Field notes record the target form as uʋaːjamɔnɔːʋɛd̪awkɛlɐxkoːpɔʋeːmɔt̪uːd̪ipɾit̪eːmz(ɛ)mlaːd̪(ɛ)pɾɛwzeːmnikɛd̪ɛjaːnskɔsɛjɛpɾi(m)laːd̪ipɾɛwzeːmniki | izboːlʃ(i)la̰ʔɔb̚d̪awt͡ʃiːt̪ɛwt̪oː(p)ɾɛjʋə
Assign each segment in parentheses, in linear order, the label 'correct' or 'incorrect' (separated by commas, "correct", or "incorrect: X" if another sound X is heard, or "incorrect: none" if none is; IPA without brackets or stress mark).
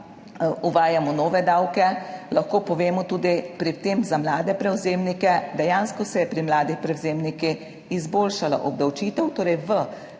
incorrect: a, correct, correct, incorrect: a, incorrect: none